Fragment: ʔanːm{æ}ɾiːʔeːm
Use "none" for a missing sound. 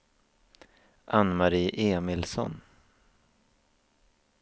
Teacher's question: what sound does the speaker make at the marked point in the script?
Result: a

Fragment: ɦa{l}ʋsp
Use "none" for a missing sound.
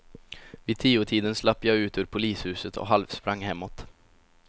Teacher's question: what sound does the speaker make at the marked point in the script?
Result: l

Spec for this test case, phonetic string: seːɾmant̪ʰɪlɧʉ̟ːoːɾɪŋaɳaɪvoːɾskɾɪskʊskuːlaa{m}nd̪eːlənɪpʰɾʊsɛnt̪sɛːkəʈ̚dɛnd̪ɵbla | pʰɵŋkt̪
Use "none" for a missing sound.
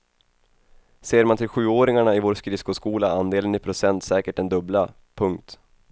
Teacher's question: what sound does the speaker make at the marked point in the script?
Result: none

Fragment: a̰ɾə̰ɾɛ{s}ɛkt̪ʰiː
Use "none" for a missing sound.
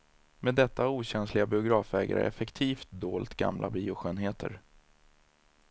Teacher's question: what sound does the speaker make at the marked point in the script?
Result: f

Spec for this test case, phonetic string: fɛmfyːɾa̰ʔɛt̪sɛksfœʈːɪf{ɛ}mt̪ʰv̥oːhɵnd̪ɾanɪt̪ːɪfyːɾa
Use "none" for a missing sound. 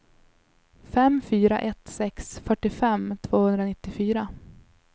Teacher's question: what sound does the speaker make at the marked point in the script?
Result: ɛ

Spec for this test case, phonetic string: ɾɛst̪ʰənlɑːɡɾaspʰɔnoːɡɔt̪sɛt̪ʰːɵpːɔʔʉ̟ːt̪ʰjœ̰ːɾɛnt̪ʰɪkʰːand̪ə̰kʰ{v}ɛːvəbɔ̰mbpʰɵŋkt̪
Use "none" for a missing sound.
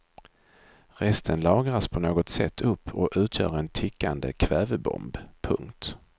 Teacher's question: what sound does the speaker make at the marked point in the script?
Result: v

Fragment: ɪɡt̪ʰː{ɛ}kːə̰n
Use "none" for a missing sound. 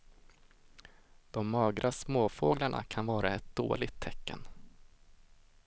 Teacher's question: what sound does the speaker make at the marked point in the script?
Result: ɛ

